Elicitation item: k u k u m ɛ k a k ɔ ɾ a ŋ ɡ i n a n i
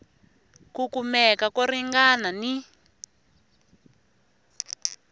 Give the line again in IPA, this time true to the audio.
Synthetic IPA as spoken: k u k u m ɛ k a k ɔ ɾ i ŋ ɡ a n a n i